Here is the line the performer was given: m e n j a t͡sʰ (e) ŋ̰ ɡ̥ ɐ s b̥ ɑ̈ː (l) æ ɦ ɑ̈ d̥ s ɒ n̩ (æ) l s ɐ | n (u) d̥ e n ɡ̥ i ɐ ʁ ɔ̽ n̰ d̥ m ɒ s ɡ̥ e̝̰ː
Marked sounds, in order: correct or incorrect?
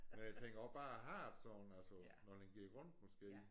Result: correct, incorrect, correct, incorrect

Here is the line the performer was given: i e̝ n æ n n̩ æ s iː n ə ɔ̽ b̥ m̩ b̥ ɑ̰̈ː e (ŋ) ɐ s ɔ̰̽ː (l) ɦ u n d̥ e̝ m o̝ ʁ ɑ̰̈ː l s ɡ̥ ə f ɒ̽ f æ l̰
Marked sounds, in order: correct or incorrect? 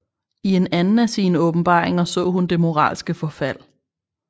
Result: correct, incorrect

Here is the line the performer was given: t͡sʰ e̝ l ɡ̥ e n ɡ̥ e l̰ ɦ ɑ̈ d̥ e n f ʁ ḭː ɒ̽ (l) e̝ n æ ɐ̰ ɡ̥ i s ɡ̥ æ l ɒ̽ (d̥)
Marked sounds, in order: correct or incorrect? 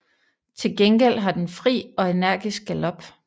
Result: incorrect, incorrect

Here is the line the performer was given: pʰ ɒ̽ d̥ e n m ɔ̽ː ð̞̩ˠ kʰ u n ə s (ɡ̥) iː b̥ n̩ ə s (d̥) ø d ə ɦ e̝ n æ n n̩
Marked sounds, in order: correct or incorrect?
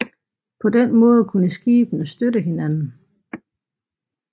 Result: correct, correct

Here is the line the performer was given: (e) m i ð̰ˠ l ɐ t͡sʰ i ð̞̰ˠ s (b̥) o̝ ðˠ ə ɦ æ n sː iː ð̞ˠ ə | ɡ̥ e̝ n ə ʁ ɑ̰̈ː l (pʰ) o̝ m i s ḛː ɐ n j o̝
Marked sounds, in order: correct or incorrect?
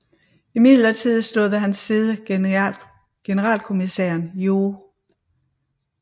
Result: incorrect, incorrect, incorrect

